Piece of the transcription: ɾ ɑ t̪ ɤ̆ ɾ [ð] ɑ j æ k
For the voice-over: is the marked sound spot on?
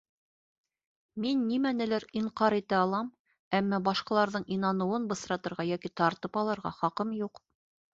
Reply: no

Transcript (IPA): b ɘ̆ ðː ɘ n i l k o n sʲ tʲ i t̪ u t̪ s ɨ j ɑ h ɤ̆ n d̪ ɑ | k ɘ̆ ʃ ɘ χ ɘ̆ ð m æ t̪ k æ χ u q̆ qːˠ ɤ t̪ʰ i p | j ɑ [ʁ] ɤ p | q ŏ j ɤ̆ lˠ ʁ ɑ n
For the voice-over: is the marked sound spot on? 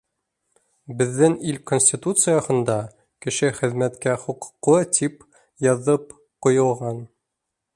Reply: no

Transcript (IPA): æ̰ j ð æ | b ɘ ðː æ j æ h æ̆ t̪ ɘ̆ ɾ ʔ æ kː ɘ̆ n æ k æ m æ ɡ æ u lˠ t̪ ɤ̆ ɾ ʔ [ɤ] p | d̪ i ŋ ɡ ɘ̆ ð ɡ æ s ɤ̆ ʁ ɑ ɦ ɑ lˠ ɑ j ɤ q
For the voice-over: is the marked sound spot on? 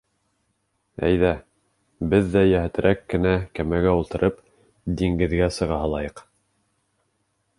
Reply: yes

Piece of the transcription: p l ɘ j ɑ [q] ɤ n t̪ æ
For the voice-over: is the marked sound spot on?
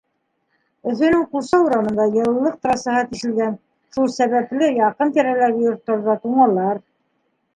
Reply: yes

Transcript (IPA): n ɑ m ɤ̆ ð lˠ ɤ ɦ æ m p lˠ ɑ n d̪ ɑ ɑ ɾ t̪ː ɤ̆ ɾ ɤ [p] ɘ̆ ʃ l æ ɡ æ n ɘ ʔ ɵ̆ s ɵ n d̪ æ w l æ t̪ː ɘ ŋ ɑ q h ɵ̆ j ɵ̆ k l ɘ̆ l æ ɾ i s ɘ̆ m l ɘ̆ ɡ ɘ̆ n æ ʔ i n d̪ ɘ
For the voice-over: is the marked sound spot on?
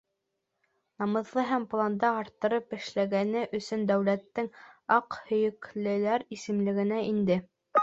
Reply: yes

